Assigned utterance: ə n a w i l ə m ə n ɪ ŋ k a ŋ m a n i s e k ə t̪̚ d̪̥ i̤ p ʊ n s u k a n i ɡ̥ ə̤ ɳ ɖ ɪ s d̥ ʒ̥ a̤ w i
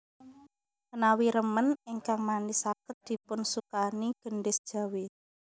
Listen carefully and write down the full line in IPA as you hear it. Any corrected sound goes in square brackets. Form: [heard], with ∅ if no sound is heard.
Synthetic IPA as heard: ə n a w i [ɾ] ə m ə n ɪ ŋ k a ŋ m a n i s [a] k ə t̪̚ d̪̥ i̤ p ʊ n s u k a n i ɡ̥ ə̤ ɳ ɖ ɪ s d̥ ʒ̥ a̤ w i